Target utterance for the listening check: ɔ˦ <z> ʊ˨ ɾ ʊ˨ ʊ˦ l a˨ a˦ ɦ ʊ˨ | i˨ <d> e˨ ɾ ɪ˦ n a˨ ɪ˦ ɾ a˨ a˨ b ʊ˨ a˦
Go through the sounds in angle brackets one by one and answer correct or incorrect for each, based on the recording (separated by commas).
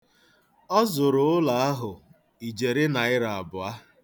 correct, incorrect